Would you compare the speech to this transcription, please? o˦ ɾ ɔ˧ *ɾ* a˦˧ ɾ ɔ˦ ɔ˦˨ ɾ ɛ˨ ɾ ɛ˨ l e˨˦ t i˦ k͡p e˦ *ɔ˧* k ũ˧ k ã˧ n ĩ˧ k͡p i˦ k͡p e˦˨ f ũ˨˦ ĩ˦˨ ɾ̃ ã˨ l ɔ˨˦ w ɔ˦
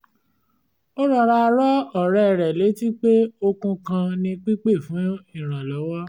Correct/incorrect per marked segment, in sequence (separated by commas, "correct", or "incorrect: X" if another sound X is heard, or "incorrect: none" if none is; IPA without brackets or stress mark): correct, incorrect: o˧